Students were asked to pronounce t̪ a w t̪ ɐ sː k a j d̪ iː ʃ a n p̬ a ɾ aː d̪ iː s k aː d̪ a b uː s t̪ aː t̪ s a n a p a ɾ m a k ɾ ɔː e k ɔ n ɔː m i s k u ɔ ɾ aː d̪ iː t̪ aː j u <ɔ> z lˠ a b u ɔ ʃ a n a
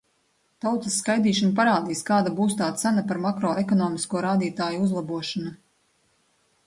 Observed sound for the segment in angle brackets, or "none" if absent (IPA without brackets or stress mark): u